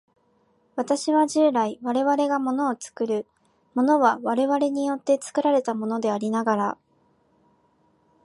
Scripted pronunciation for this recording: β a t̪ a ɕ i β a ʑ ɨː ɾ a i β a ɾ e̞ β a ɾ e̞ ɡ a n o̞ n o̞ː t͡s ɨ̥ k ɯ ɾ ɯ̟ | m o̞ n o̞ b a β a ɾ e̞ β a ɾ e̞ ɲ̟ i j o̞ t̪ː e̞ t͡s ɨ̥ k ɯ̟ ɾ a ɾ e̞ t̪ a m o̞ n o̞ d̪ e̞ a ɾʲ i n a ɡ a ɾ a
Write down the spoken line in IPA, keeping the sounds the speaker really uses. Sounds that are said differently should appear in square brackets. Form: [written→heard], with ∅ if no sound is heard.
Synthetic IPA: β a t̪ a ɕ i β a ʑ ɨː ɾ a i β a ɾ e̞ β a ɾ e̞ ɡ a [n→m] o̞ n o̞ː t͡s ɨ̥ k ɯ ɾ ɯ̟ | m o̞ n o̞ [b→β] a β a ɾ e̞ β a ɾ e̞ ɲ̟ i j o̞ t̪ː e̞ t͡s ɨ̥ k ɯ̟ ɾ a ɾ e̞ t̪ a m o̞ n o̞ d̪ e̞ a ɾʲ i n a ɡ a ɾ a